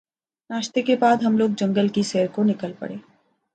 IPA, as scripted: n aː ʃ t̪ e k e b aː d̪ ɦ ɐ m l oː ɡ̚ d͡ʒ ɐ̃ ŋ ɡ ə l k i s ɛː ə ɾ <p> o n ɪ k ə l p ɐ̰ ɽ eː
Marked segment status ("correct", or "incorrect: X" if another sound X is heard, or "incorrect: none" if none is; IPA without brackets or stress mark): incorrect: k